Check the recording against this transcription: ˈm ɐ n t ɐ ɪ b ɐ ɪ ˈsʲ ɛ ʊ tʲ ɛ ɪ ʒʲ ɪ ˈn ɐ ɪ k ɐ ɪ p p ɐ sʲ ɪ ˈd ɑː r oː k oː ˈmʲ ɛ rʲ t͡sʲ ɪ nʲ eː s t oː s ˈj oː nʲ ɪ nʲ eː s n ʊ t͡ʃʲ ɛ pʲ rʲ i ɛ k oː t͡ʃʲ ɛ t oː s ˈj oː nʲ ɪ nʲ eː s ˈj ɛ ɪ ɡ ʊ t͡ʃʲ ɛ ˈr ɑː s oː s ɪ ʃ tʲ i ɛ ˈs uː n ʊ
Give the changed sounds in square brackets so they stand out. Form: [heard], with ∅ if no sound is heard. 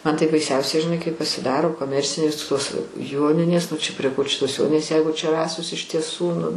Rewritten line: ˈm ɐ n t ɐ ɪ b ɐ ɪ ˈsʲ ɛ ʊ [sʲ] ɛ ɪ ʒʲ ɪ ˈn ɐ ɪ k ɐ ɪ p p ɐ sʲ ɪ ˈd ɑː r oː k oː ˈmʲ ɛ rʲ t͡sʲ ɪ nʲ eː s t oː s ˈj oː nʲ ɪ nʲ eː s n ʊ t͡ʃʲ ɛ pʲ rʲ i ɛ k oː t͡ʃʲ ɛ t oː s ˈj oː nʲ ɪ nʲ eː s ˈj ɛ ɪ ɡ ʊ t͡ʃʲ ɛ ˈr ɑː s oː s ɪ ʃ tʲ i ɛ ˈs uː n ʊ